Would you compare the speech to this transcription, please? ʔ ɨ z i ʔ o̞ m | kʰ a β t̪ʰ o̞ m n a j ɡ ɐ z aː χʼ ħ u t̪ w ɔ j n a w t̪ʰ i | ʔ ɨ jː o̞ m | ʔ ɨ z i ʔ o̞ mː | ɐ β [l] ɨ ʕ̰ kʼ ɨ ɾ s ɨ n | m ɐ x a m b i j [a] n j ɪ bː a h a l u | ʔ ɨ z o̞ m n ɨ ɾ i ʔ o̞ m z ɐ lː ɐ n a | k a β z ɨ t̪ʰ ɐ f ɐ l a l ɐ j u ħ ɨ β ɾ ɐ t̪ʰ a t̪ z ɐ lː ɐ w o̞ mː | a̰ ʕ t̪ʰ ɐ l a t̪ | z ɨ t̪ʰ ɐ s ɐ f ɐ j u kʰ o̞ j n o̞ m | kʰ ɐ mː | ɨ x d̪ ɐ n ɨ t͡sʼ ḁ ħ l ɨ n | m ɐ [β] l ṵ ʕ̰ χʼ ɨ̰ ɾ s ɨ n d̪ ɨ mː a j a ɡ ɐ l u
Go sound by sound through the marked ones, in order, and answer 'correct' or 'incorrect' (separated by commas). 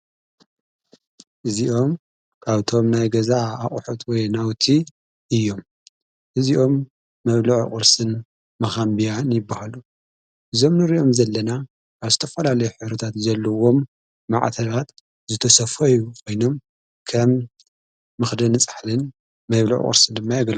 correct, correct, correct